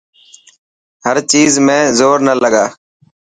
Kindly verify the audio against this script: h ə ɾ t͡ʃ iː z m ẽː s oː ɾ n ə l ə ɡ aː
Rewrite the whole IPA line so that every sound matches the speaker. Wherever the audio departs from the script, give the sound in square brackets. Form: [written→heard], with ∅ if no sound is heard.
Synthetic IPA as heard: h ə ɾ t͡ʃ iː z m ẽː [s→z] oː ɾ n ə l ə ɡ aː